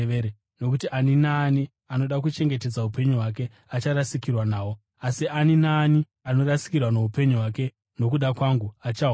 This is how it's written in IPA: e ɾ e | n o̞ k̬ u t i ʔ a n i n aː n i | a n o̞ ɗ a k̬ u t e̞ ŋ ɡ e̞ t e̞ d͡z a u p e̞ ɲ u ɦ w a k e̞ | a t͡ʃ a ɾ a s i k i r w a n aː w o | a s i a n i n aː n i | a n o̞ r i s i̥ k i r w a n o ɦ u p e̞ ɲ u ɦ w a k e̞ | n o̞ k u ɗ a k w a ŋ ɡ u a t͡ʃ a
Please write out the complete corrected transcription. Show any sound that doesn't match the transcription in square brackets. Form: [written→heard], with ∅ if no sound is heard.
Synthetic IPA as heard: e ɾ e | n o̞ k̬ u t i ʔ a n i n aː n i | a n o̞ ɗ a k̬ u [t→t͡ʃ] e̞ ŋ ɡ e̞ t e̞ d͡z a u p e̞ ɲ u ɦ w a k e̞ | a t͡ʃ a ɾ a s i k i r w a n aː w o | a s i a n i n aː n i | a n o̞ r [i→a] s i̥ k i r w a n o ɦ u p e̞ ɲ u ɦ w a k e̞ | n o̞ k u ɗ a k w a ŋ ɡ u a t͡ʃ a

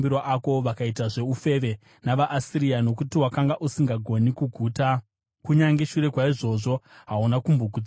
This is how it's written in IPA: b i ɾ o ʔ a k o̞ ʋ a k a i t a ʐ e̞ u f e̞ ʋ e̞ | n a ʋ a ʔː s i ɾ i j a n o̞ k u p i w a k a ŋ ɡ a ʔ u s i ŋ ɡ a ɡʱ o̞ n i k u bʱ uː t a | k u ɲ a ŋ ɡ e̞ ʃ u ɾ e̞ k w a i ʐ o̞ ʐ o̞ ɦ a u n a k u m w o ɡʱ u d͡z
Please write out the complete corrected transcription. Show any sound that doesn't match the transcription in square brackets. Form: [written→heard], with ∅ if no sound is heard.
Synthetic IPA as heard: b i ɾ o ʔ a k o̞ ʋ a k a i t a ʐ e̞ u f e̞ ʋ e̞ | n a ʋ a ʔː s i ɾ i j a n o̞ k u [p→t] i w a k a ŋ ɡ a ʔ u s i ŋ ɡ a ɡʱ o̞ n i k u [bʱ→ɡʱ] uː t a | k u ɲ a ŋ ɡ e̞ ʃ u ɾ e̞ k w a i ʐ o̞ ʐ o̞ ɦ a u n a k u m [w→b] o ɡʱ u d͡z

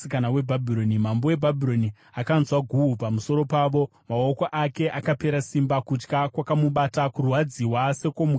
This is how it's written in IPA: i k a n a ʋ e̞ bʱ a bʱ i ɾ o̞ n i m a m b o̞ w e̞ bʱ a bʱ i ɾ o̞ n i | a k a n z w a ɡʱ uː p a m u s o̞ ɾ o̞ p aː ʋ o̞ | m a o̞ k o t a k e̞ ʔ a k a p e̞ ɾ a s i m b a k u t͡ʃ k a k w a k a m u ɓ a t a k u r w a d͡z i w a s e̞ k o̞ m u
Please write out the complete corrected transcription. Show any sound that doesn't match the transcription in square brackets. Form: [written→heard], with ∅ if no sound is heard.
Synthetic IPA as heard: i k a n a [ʋ→w] e̞ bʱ a bʱ i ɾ o̞ n i m a m b o̞ w e̞ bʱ a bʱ i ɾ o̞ n i | a k a n z w a ɡʱ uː p a m u s o̞ ɾ o̞ p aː ʋ o̞ | m a o̞ k o [t→ʔ] a k e̞ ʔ a k a p e̞ ɾ a s i m b a k u t͡ʃ k a k w a k a m u ɓ a t a k u r w a d͡z i w a s e̞ k o̞ m u

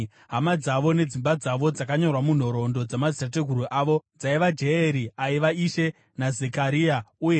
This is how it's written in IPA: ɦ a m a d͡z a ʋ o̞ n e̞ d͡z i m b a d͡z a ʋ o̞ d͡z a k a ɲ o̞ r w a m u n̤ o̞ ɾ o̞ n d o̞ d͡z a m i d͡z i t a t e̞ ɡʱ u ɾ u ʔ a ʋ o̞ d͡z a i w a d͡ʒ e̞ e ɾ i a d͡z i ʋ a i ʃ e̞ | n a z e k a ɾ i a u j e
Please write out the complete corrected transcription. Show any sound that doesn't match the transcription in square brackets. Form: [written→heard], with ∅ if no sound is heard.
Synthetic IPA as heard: ɦ a m a d͡z a ʋ o̞ n e̞ d͡z i m b a d͡z a ʋ o̞ d͡z a k a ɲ o̞ r w a m u n̤ o̞ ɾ o̞ n d o̞ d͡z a m [i→a] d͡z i t a t e̞ ɡʱ u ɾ u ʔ a ʋ o̞ d͡z a i [w→ʋ] a d͡ʒ e̞ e ɾ i a [d͡z→∅] i ʋ a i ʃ e̞ | n a z e k a ɾ i a u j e

